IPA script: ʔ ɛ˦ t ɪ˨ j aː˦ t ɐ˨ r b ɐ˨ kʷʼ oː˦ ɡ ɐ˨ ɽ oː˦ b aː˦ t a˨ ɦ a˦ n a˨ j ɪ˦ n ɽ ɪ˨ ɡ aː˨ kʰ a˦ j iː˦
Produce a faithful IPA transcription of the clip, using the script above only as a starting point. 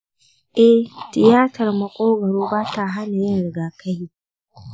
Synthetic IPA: ʔ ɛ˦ t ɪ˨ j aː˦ t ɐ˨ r m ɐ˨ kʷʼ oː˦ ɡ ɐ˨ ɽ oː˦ b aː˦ t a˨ ɦ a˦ n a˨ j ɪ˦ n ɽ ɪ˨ ɡ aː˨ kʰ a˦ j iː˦